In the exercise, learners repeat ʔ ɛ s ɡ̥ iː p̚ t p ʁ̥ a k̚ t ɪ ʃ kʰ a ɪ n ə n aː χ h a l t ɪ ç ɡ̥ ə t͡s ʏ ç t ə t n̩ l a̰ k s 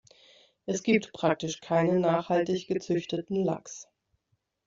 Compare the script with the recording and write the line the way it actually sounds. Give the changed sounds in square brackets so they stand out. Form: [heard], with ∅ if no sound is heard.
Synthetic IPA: ʔ ɛ s ɡ̥ iː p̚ t p ʁ̥ a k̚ t ɪ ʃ kʰ a ɪ n ə n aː χ h a l t ɪ ç ɡ̥ ə t͡s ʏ ç t ə t n̩ l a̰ k s